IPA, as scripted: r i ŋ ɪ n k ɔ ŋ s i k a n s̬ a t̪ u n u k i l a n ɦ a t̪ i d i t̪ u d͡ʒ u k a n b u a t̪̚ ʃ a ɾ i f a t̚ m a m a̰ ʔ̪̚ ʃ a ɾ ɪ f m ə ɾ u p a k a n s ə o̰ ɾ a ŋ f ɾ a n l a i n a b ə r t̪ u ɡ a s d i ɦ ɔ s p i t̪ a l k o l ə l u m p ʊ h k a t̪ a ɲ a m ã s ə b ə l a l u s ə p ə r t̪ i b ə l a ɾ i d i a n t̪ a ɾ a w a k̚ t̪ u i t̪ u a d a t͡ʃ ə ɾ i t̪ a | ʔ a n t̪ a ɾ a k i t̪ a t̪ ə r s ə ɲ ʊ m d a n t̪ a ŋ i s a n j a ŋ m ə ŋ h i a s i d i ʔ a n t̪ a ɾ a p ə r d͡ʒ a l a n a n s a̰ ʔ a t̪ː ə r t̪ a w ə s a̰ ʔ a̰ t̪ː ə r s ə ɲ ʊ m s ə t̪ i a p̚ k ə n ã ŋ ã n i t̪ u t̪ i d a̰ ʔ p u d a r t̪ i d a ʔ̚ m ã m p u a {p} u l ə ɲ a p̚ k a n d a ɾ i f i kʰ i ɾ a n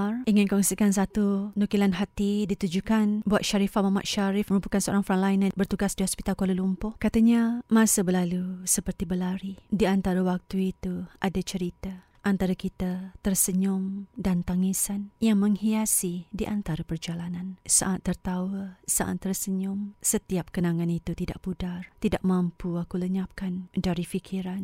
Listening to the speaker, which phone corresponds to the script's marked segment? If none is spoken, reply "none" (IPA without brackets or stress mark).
k